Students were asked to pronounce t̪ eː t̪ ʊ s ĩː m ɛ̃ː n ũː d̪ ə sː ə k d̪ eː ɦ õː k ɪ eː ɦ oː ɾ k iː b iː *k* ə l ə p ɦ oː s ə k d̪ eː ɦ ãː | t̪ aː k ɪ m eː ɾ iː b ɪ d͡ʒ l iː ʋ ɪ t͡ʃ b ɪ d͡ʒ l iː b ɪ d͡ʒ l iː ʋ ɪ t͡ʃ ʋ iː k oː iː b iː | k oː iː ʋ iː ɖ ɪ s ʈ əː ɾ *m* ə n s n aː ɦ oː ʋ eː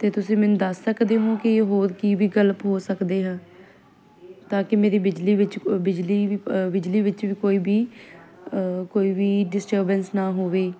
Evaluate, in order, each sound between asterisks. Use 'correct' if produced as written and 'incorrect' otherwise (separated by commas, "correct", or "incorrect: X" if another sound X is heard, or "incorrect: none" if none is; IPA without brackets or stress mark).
incorrect: ɡ, incorrect: b